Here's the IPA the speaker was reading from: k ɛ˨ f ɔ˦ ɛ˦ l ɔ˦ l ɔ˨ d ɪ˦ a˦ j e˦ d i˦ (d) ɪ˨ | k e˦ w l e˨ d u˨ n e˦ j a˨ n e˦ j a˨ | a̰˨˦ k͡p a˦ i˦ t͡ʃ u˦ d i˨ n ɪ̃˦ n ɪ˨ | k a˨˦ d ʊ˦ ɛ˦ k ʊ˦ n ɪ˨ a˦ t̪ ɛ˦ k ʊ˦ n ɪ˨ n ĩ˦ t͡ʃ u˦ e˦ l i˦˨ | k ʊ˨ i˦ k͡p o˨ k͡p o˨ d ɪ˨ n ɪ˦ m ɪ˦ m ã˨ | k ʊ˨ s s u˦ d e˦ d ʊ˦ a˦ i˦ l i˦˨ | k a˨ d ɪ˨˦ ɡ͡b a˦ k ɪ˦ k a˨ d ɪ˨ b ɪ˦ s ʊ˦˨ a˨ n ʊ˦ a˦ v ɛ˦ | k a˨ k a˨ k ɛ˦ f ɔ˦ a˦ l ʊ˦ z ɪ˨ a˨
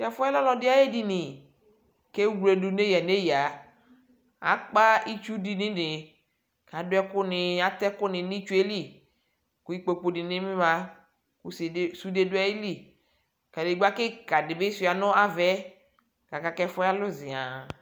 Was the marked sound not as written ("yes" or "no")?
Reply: yes